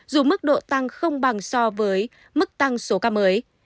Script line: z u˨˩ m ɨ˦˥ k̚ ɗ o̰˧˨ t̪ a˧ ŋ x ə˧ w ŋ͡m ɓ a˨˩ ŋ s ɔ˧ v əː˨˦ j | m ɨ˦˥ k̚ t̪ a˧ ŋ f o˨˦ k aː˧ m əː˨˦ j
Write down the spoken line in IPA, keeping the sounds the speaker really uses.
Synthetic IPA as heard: z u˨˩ m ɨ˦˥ k̚ ɗ o̰˧˨ t̪ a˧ ŋ x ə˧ w ŋ͡m ɓ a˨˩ ŋ s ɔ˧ v əː˨˦ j | m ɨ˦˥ k̚ t̪ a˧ ŋ s o˨˦ k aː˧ m əː˨˦ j